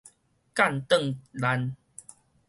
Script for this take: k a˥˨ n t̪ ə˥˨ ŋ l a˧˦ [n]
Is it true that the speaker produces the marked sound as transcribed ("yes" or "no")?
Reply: yes